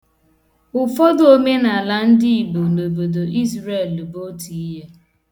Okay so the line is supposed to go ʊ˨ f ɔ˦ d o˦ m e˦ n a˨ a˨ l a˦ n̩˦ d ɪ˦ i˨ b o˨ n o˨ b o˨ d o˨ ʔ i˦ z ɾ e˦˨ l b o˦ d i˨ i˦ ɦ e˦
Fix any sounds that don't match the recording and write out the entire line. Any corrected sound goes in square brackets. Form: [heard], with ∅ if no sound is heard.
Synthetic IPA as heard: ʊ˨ f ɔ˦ d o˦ m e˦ n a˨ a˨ l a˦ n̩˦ d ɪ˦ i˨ b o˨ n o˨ b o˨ d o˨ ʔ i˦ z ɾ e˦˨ l b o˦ [t] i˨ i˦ ɦ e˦